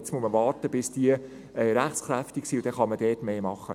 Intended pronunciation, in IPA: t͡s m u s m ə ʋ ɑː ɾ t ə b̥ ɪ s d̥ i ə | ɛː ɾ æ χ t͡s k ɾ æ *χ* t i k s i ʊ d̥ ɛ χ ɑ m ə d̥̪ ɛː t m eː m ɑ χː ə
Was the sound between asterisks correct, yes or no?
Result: no